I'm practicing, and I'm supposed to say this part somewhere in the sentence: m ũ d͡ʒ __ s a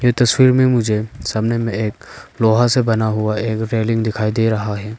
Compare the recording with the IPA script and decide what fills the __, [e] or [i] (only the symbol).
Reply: e